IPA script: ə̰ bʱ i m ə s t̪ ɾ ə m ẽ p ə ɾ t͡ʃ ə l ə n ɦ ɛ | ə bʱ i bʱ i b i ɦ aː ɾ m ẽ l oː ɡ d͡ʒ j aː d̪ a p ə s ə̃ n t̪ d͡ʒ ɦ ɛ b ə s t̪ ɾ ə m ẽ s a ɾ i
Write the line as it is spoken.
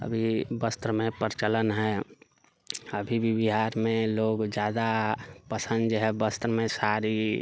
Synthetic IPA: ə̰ bʱ i b ə s t̪ ɾ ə m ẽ p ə ɾ t͡ʃ ə l ə n ɦ ɛ | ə bʱ i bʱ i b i ɦ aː ɾ m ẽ l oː ɡ d͡ʒ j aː d̪ a p ə s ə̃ n d̪ d͡ʒ ɦ ɛ b ə s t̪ ɾ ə m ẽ s a ɾ i

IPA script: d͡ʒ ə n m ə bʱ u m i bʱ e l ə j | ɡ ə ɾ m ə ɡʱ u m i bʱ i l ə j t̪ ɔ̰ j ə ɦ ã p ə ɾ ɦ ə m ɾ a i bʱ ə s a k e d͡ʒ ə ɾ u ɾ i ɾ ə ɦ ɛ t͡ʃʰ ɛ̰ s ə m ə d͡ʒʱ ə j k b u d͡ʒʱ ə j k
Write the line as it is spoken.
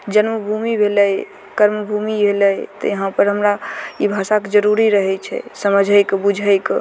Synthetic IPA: d͡ʒ ə n m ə bʱ u m i bʱ e l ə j | k ə ɾ m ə bʱ u m i bʱ e l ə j t̪ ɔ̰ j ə ɦ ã p ə ɾ ɦ ə m ɾ a i bʱ a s a k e d͡ʒ ə ɾ u ɾ i ɾ ə ɦ ɛ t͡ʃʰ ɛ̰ s ə m ə d͡ʒʱ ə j k b u d͡ʒʱ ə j k

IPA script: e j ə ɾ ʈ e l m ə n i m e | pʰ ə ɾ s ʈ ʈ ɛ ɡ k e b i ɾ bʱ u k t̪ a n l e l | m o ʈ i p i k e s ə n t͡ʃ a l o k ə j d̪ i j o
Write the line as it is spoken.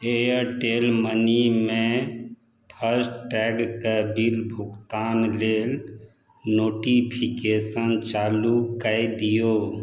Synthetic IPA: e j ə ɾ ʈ e l m ə n i m e | pʰ ə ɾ s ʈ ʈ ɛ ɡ k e b i l bʱ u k t̪ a n l e l | n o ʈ i pʰ i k e s ə n t͡ʃ a l u k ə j d̪ i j o

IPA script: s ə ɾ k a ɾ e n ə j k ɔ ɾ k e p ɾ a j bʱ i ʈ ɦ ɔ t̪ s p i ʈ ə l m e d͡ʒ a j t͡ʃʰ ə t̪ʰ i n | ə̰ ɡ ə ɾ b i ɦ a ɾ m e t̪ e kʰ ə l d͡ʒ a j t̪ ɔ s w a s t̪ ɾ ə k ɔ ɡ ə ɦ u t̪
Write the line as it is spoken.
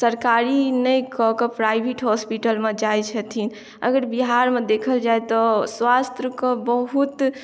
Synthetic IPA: s ə ɾ k a ɾ i n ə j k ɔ k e p ɾ a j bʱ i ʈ ɦ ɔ s p i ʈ ə l m e d͡ʒ a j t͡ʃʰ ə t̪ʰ i n | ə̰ ɡ ə ɾ b i ɦ a ɾ m e d̪ e kʰ ə l d͡ʒ a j t̪ ɔ s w a s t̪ ɾ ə k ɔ b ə ɦ u t̪

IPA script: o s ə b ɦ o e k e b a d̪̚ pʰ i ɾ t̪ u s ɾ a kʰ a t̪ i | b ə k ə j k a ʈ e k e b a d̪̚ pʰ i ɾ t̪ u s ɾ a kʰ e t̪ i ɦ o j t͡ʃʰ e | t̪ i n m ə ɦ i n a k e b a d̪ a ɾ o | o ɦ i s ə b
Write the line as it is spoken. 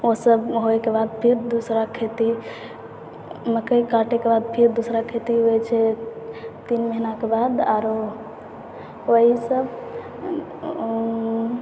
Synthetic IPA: o s ə b ɦ o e k e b a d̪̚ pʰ i ɾ d̪ u s ɾ a kʰ e t̪ i | m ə k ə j k a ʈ e k e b a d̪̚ pʰ i ɾ d̪ u s ɾ a kʰ e t̪ i ɦ o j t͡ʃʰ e | t̪ i n m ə ɦ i n a k e b a d̪ a ɾ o | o ɦ i s ə b

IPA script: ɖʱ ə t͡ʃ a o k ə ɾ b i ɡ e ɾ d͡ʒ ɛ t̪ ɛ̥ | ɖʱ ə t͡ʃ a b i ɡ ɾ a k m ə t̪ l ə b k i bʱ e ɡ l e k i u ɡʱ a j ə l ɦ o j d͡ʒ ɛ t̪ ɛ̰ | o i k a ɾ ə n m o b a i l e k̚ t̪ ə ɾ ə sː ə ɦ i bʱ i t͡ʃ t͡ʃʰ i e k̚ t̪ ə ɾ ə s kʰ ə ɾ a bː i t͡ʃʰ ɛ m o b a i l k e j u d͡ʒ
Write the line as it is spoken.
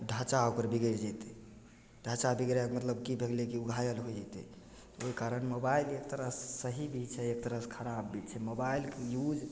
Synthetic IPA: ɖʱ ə t͡ʃ a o k ə ɾ b i ɡ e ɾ d͡ʒ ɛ t̪ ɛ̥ | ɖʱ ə t͡ʃ a b i ɡ ɾ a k m ə t̪ l ə b k i bʱ e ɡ l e k i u ɡʱ a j ə l ɦ o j d͡ʒ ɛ t̪ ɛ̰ | o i k a ɾ ə n m o b a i l e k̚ t̪ ə ɾ ə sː ə ɦ i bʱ i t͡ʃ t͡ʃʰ ɛ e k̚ t̪ ə ɾ ə s kʰ ə ɾ a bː i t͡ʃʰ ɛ m o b a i l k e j u d͡ʒ

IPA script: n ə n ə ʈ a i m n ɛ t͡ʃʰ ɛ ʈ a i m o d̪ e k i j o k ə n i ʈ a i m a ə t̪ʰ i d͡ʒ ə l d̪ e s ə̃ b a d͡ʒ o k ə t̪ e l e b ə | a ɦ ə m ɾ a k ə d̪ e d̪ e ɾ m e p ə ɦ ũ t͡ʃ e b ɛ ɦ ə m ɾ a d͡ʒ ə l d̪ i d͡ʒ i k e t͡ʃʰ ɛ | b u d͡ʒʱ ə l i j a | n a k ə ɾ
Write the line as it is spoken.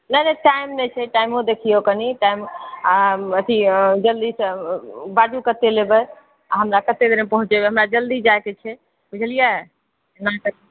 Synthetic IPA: n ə n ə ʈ a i m n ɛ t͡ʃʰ ɛ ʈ a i m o d̪ e kʰ i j o k ə n i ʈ a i m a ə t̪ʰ i d͡ʒ ə l d̪ i s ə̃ b a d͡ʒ u k ə t̪ e l e b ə | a ɦ ə m ɾ a k ə t̪ e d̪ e ɾ m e p ə ɦ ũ t͡ʃ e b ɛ ɦ ə m ɾ a d͡ʒ ə l d̪ i d͡ʒ a k e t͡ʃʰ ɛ | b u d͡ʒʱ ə l i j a | n a k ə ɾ

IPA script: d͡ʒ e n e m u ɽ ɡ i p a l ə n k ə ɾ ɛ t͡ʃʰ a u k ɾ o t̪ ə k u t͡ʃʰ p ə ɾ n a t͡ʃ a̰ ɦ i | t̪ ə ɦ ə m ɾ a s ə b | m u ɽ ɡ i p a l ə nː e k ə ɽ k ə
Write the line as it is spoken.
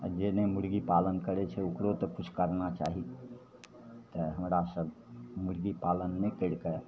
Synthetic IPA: d͡ʒ e n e m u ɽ ɡ i p a l ə n k ə ɾ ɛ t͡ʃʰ ɛ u k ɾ o t̪ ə k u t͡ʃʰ k ə ɾ n a t͡ʃ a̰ ɦ i | t̪ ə ɦ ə m ɾ a s ə b | m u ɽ ɡ i p a l ə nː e k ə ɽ k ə

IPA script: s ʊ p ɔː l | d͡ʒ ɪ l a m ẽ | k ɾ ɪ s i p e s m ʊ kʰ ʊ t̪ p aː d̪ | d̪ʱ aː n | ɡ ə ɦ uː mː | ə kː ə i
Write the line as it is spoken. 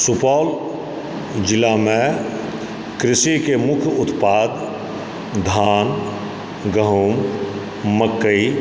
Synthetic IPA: s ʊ p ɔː l | d͡ʒ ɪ l a m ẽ | k ɾ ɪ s i k e m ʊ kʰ ʊ t̪ p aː d̪ | d̪ʱ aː n | ɡ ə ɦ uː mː | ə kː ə i

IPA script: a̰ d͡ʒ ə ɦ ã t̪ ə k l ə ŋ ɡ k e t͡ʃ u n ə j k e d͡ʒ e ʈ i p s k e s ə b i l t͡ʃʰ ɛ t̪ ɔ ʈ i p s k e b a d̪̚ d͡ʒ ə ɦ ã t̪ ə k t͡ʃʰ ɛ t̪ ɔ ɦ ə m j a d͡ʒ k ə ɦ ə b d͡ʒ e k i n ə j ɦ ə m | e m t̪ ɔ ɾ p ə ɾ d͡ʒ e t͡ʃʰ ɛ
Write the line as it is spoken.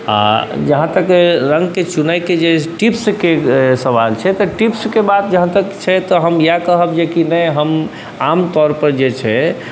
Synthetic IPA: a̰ d͡ʒ ə ɦ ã t̪ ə k ɾ ə ŋ ɡ k e t͡ʃ u n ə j k e d͡ʒ e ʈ i p s k e s ə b a l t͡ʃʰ ɛ t̪ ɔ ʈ i p s k e b a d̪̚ d͡ʒ ə ɦ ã t̪ ə k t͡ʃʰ ɛ t̪ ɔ ɦ ə m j a k ə ɦ ə b d͡ʒ e k i n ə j ɦ ə m | a m t̪ ɔ ɾ p ə ɾ d͡ʒ e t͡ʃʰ ɛ

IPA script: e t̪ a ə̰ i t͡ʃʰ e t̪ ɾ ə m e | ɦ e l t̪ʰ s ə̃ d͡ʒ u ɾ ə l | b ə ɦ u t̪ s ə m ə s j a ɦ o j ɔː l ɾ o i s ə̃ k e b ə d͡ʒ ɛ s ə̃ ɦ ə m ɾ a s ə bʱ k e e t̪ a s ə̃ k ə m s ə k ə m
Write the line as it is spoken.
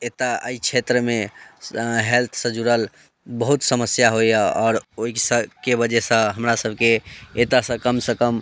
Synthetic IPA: e t̪ a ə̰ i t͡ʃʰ e t̪ ɾ ə m e | ɦ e l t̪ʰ s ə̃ d͡ʒ u ɾ ə l | b ə ɦ u t̪ s ə m ə s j a ɦ o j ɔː ɾ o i s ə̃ k e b ə d͡ʒ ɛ s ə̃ ɦ ə m ɾ a s ə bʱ k e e t̪ a s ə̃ k ə m s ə k ə m

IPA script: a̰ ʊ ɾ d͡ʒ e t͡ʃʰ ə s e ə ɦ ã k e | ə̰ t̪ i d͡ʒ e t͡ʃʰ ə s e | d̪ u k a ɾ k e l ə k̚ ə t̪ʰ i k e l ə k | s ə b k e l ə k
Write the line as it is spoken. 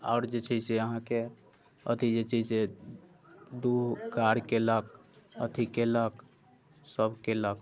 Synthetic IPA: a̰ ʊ ɾ d͡ʒ e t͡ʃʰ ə s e ə ɦ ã k e | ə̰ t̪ i d͡ʒ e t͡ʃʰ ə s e | d̪ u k a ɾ k e l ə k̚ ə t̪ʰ i k e l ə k | s ə b k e l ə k

